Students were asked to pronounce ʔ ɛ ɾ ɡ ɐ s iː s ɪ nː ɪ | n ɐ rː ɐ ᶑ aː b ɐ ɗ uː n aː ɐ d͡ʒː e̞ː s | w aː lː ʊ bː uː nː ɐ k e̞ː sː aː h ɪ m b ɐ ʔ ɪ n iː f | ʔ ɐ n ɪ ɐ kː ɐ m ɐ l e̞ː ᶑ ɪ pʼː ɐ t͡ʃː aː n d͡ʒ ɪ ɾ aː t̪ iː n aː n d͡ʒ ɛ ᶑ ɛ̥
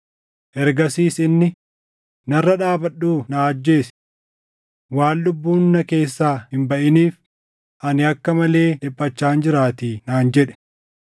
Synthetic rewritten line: ʔ ɛ ɾ ɡ ɐ s iː s ɪ nː ɪ | n ɐ rː ɐ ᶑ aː b ɐ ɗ uː n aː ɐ d͡ʒː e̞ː s | w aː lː ʊ bː uː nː ɐ k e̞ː sː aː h ɪ m b ɐ ʔ ɪ n iː f | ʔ ɐ n ɪ ɐ kː ɐ m ɐ l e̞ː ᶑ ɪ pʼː ɐ t͡ʃː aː n d͡ʒ ɪ ɾ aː t̪ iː n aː n d͡ʒ ɛ ᶑ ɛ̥